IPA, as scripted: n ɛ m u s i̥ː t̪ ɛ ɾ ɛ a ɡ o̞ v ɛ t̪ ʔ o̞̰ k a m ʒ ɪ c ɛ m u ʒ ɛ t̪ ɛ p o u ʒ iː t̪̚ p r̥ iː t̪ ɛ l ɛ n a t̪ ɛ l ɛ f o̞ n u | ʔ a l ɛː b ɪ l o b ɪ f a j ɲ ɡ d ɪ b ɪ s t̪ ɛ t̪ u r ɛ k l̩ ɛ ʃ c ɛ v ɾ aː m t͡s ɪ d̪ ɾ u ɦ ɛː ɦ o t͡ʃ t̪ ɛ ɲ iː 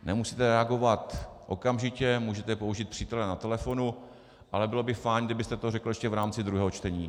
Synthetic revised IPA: n ɛ m u s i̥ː t̪ ɛ ɾ ɛ a ɡ o̞ v a t̪ ʔ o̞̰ k a m ʒ ɪ c ɛ m uː ʒ ɛ t̪ ɛ p o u ʒ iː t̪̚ p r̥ iː t̪ ɛ l ɛ n a t̪ ɛ l ɛ f o̞ n u | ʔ a l ɛ b ɪ l o b ɪ f a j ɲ ɡ d ɪ b ɪ s t̪ ɛ t̪ o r ɛ k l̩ ɛ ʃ c ɛ v ɾ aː m t͡s ɪ d̪ ɾ u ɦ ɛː ɦ o t͡ʃ t̪ ɛ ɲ iː